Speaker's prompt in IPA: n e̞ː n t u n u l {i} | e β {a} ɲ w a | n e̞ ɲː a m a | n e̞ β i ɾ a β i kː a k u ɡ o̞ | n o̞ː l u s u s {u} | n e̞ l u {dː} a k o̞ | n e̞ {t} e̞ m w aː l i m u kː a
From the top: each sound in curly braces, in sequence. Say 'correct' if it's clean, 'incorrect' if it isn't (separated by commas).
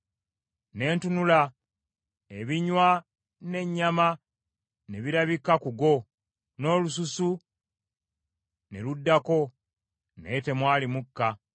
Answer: incorrect, incorrect, correct, correct, correct